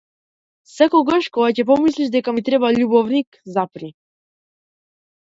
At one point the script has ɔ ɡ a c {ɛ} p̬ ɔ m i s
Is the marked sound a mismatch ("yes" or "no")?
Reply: no